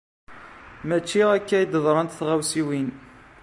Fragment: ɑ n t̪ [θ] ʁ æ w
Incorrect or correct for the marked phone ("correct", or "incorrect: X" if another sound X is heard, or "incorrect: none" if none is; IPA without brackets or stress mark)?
correct